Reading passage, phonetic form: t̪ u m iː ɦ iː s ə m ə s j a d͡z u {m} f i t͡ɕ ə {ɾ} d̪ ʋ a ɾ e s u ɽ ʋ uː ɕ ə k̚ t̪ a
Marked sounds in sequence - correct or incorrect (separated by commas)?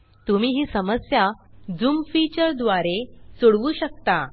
correct, correct